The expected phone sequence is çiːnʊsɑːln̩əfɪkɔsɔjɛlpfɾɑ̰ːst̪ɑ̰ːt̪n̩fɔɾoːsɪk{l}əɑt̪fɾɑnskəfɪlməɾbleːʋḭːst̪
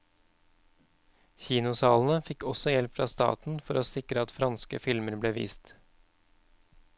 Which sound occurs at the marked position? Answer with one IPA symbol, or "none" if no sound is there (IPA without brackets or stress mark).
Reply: ɾ